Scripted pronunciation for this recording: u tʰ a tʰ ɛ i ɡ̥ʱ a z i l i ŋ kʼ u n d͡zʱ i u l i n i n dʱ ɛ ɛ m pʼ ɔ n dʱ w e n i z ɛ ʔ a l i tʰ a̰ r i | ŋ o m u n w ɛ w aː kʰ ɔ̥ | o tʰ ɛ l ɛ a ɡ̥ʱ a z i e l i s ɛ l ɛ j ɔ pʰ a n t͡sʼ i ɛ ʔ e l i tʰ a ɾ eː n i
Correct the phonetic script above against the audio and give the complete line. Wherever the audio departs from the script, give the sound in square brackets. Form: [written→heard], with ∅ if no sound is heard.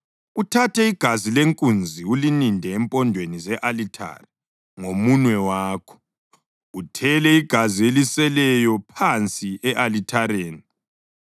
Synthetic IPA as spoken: u tʰ a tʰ ɛ i ɡ̥ʱ a z i l [i→e] ŋ kʼ u n d͡zʱ i u l i n i n dʱ ɛ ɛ m pʼ ɔ n dʱ w e n i z ɛ ʔ a l i tʰ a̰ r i | ŋ o m u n w ɛ w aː kʰ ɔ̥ | [o→u] tʰ ɛ l ɛ [a→i] ɡ̥ʱ a z i e l i s ɛ l ɛ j ɔ pʰ a n t͡sʼ i ɛ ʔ [e→a] l i tʰ a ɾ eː n i